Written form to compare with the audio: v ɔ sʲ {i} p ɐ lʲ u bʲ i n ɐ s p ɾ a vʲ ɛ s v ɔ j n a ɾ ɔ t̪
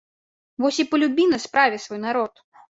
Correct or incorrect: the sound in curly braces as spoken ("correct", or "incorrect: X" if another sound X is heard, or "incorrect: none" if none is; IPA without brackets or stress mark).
correct